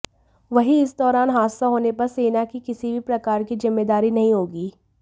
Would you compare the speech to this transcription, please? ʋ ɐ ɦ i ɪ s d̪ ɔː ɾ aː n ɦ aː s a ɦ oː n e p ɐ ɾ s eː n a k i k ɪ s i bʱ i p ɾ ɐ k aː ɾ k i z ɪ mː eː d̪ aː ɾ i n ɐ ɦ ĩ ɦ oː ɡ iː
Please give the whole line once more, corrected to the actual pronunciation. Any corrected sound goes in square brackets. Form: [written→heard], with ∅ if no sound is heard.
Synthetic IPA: ʋ ɐ ɦ i ɪ s d̪ ɔː ɾ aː n ɦ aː s a ɦ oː n e p ɐ ɾ s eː n a k i k ɪ s i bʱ i p ɾ ɐ k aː ɾ k i z ɪ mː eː d̪ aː ɾ i n ɐ ɦ ĩ ɦ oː ɡ iː